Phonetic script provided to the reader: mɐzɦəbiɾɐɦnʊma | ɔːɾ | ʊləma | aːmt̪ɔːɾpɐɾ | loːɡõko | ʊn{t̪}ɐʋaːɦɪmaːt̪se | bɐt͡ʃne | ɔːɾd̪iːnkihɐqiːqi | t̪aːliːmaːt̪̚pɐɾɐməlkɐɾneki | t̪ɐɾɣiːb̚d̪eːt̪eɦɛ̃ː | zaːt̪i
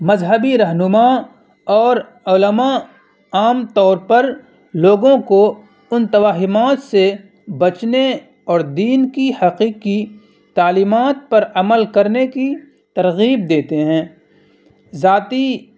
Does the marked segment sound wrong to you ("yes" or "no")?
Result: no